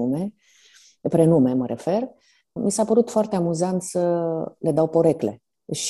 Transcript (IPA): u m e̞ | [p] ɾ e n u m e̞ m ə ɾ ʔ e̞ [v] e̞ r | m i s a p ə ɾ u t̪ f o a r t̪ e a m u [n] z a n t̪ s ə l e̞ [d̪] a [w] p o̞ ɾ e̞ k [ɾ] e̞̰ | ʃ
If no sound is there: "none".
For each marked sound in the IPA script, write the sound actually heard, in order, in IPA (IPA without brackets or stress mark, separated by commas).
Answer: p, f, none, d̪, w, l